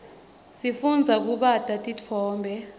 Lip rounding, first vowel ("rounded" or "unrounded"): unrounded